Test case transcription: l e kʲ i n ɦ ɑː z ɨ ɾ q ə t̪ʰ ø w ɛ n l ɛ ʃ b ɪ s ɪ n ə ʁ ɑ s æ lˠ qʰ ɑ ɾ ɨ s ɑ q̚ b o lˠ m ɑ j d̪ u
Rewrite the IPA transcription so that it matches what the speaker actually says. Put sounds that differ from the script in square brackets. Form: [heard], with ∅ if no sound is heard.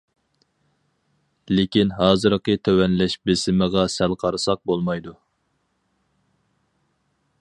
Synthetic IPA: l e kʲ i n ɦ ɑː z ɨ ɾ q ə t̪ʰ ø w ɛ n l ɛ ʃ b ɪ s ɪ [m] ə ʁ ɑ s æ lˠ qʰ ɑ ɾ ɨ s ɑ q̚ b o lˠ m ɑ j d̪ u